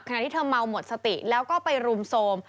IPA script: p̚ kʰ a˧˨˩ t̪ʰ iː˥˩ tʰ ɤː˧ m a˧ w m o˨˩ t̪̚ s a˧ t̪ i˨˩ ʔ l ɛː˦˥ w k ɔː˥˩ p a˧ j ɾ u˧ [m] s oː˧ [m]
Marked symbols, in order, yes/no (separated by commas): yes, yes